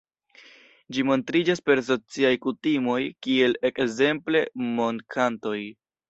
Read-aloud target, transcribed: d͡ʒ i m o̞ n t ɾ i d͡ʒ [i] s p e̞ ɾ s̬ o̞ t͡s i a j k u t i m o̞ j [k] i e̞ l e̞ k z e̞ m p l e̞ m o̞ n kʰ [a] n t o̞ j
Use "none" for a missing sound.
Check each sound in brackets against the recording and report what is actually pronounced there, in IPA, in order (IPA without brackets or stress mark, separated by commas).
a, k, a